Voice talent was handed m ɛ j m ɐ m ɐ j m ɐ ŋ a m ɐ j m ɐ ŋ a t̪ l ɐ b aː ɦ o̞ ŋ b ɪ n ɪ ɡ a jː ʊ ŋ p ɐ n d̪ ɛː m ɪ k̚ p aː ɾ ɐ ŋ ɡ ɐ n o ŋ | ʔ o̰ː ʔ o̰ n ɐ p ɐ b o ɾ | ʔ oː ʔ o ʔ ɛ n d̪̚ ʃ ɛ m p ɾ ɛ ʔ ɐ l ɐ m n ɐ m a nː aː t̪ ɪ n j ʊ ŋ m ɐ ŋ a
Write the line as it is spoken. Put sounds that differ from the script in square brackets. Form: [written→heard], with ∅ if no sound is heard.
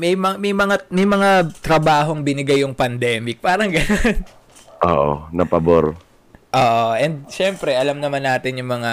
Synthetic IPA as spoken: m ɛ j m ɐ m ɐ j m ɐ ŋ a m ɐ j m ɐ ŋ a t̪ [l→ɾ] ɐ b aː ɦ o̞ ŋ b ɪ n ɪ ɡ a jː ʊ ŋ p ɐ n d̪ ɛː m ɪ k̚ p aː ɾ ɐ ŋ ɡ ɐ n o [ŋ→n] | ʔ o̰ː ʔ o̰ n ɐ p ɐ b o ɾ | ʔ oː ʔ o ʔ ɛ n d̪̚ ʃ ɛ m p ɾ ɛ ʔ ɐ l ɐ m n ɐ m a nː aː t̪ ɪ n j ʊ ŋ m ɐ ŋ a